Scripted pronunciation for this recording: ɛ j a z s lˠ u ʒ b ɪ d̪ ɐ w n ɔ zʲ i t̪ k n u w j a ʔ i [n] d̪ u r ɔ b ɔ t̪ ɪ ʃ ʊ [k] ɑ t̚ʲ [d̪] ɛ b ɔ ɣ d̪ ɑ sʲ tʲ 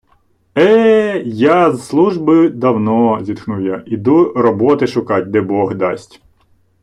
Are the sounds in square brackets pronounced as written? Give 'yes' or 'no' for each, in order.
no, yes, yes

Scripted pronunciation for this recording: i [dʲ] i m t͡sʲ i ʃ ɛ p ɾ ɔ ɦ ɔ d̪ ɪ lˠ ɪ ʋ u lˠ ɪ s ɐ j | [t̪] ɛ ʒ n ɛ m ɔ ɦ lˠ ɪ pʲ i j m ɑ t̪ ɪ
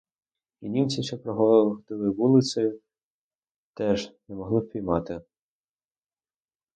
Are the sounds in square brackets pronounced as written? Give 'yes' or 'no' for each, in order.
no, yes

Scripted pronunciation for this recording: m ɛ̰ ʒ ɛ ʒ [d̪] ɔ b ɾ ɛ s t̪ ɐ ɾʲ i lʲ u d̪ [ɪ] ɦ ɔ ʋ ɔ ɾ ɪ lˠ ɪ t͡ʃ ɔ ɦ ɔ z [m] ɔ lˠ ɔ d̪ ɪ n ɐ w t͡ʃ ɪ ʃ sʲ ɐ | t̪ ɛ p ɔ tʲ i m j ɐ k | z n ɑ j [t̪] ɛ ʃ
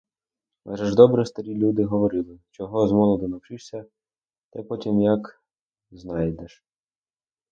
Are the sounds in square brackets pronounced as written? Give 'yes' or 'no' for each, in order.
yes, yes, yes, no

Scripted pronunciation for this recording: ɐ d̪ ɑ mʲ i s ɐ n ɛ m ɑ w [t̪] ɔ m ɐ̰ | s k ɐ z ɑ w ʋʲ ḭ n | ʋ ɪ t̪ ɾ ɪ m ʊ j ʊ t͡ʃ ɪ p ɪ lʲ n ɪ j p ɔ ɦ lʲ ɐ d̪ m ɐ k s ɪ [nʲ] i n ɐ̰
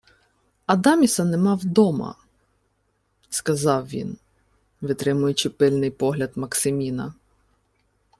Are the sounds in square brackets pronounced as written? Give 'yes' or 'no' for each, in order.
no, no

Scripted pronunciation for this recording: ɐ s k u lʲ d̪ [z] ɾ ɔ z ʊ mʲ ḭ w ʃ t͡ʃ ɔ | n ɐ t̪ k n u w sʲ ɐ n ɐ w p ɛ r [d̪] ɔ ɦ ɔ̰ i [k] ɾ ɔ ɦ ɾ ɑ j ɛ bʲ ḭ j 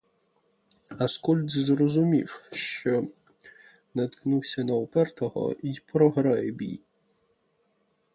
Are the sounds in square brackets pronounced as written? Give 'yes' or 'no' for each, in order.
yes, no, no

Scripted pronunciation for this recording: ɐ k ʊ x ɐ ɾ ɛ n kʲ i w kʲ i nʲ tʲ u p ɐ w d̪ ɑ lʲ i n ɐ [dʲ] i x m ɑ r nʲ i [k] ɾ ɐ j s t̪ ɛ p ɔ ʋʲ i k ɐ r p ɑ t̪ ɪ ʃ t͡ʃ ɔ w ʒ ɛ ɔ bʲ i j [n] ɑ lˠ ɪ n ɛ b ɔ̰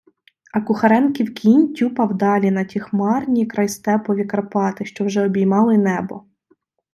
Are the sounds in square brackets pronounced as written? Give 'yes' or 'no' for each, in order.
no, yes, no

